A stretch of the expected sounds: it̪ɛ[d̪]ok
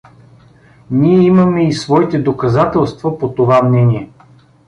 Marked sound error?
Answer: no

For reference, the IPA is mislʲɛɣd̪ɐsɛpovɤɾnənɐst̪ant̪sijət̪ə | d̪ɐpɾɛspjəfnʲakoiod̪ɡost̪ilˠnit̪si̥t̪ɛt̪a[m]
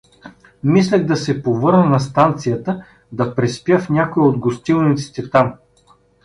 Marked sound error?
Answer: no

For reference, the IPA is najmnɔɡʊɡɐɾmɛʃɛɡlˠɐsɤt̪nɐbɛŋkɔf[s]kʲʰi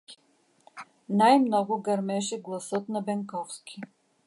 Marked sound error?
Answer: no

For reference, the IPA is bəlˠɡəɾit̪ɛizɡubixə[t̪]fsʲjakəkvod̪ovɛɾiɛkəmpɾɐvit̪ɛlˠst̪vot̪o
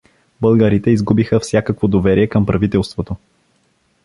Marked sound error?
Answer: yes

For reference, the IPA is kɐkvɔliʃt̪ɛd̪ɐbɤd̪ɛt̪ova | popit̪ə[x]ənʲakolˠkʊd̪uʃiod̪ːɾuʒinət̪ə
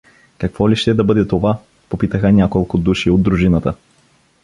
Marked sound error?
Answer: no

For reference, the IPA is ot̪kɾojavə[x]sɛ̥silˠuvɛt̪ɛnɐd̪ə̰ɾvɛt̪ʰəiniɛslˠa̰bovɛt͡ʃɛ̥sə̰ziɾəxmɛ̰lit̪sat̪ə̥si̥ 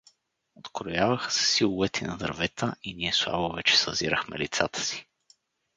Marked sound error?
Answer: no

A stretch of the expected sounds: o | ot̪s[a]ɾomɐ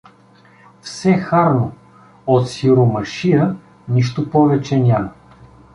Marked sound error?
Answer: yes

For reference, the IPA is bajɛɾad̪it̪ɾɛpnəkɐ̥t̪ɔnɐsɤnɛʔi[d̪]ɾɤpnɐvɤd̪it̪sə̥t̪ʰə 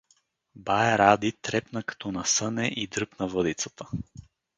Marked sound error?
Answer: no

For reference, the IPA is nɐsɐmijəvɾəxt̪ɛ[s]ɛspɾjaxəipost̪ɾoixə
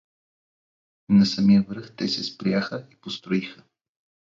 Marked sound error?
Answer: no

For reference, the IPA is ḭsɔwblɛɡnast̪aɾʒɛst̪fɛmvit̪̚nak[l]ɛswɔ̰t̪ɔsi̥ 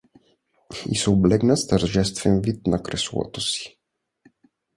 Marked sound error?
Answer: yes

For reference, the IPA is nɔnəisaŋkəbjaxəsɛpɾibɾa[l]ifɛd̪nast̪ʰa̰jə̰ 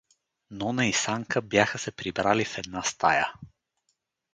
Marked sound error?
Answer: no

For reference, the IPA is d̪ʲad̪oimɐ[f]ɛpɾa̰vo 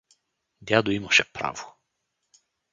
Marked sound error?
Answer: yes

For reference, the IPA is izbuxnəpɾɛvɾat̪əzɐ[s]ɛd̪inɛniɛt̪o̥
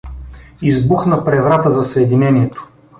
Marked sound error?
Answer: no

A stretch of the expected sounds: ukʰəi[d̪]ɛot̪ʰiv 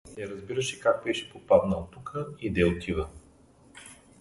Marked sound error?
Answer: no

